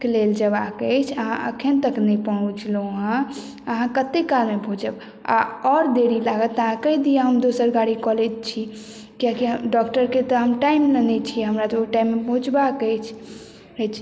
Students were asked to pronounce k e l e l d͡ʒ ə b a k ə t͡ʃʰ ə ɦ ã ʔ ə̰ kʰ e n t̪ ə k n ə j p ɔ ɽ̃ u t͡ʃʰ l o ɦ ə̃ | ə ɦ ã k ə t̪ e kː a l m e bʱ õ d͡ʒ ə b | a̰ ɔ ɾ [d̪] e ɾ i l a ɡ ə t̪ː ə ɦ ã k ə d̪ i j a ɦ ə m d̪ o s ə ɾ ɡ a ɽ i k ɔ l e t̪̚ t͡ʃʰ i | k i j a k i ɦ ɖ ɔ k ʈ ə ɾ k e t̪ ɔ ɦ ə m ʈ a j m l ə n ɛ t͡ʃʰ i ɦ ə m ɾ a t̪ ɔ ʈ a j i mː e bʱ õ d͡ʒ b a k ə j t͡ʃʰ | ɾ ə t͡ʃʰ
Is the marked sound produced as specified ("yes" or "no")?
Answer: yes